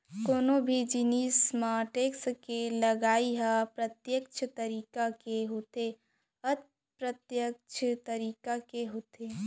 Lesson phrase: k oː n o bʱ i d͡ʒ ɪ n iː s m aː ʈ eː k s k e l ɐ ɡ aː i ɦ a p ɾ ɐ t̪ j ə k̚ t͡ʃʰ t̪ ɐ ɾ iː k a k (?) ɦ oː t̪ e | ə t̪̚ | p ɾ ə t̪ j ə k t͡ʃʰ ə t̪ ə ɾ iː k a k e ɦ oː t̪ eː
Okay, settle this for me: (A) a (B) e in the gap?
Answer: B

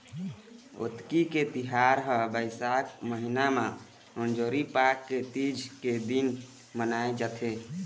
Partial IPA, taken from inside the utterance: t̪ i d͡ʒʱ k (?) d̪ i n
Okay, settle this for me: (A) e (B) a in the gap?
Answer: A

